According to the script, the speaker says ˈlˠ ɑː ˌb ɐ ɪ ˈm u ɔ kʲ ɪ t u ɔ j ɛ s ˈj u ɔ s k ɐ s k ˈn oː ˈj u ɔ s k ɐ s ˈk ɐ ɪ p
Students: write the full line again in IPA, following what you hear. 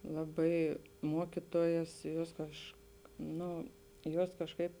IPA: ˈlˠ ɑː ˌb ɐ ɪ ˈm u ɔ kʲ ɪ t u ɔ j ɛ s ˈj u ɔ s k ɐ ʃ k ˈn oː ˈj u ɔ s k ɐ ʃ ˈk ɐ ɪ p